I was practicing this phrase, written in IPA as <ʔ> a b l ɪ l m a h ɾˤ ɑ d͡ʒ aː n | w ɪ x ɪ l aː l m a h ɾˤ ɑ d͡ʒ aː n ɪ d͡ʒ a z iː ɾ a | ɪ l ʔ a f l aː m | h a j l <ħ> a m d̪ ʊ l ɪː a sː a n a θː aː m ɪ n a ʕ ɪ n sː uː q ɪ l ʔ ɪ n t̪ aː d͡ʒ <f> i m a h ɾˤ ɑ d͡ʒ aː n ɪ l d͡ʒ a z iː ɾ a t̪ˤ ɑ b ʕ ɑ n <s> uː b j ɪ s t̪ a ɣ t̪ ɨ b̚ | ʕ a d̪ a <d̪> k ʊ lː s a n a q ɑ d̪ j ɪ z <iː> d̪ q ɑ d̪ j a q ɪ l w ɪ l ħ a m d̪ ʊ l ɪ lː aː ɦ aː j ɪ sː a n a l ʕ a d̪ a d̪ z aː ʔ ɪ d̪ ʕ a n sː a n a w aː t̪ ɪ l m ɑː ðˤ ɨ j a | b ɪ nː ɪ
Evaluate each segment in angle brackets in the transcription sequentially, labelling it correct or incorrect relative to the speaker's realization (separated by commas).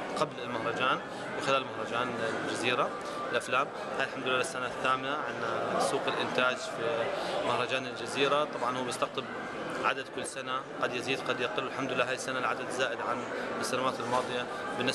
incorrect, correct, correct, incorrect, correct, correct